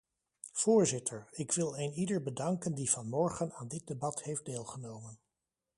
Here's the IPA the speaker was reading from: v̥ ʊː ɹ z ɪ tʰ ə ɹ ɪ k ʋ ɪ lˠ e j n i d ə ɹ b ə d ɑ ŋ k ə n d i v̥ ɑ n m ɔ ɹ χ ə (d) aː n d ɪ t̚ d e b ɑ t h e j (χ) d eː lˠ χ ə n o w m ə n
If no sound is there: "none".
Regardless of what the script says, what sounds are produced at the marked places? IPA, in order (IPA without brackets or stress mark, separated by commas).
n, f